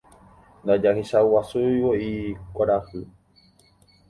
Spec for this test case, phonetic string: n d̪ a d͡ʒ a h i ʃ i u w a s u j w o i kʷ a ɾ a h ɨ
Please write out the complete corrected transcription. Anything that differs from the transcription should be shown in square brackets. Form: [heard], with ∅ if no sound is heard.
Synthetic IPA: n d̪ a d͡ʒ a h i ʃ [a] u w a s u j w o i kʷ a ɾ a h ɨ